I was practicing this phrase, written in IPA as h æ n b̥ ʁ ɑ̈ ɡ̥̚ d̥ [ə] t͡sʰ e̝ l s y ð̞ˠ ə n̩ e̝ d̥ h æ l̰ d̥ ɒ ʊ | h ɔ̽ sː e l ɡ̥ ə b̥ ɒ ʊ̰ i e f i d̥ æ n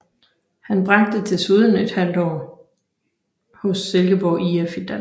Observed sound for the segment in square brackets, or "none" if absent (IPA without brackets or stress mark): ə